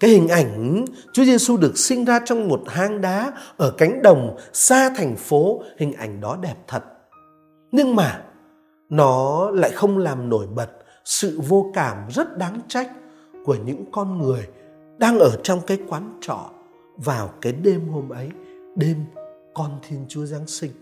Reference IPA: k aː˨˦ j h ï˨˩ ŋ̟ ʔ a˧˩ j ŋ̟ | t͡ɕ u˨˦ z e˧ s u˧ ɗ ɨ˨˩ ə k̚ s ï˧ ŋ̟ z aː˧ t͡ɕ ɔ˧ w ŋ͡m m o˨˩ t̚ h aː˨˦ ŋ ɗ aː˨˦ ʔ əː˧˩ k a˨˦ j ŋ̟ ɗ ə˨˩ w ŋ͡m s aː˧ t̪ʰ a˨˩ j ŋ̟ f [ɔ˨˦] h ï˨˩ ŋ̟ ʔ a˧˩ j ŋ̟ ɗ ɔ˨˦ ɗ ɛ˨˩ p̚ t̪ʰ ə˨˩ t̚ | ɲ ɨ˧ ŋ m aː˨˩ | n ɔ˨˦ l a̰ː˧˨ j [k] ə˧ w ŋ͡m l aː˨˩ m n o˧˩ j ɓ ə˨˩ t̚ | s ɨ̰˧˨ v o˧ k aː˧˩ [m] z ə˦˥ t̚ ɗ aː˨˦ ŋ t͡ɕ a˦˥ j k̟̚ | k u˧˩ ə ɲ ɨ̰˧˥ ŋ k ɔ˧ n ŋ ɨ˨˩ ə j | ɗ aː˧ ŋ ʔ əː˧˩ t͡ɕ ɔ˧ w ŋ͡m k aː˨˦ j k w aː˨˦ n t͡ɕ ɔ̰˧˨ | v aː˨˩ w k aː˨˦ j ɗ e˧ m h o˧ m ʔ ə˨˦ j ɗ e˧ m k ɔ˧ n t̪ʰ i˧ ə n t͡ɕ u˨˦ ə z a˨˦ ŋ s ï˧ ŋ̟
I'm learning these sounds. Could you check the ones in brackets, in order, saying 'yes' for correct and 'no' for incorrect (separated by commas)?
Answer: no, no, yes